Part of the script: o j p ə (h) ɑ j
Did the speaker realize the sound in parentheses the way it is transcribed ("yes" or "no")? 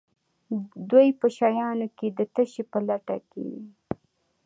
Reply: no